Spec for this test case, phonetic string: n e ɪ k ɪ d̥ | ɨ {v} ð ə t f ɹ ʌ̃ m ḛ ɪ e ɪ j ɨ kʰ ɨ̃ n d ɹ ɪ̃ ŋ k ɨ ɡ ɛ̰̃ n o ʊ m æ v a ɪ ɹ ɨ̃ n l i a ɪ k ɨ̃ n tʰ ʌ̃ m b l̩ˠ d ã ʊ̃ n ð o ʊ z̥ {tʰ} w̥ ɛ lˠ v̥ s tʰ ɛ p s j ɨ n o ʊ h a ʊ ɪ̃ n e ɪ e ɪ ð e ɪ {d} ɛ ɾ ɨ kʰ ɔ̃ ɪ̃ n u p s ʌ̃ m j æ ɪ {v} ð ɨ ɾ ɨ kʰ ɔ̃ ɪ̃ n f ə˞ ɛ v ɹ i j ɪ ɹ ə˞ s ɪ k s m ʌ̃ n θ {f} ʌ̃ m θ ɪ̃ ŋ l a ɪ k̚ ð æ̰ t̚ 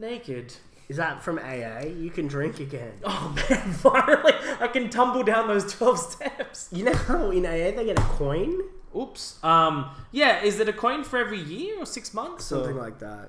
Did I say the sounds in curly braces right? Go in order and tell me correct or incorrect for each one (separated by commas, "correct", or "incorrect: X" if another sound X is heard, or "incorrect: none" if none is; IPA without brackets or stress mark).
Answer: incorrect: z, correct, incorrect: ɡ, incorrect: z, incorrect: s